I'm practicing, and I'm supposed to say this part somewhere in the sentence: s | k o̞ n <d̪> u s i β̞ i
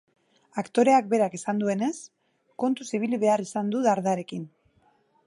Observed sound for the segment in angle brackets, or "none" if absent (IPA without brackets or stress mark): t̪